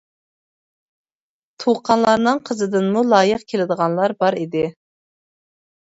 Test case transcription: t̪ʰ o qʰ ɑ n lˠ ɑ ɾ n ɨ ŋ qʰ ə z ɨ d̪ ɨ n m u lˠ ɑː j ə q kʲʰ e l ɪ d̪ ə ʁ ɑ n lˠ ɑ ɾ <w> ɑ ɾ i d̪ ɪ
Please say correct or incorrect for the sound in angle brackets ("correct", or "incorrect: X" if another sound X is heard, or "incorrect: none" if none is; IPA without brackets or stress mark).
incorrect: b